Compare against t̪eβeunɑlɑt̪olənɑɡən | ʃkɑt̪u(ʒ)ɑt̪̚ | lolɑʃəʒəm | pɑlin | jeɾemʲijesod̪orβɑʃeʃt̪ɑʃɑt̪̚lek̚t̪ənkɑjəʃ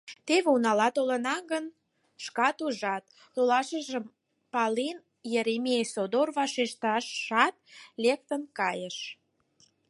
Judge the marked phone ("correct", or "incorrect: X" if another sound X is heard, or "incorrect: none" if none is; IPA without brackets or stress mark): correct